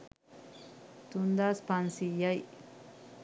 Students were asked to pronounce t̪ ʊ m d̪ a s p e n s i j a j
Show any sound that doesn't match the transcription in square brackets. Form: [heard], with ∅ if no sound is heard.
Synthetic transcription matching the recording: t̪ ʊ [n] d̪ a s p [a] n s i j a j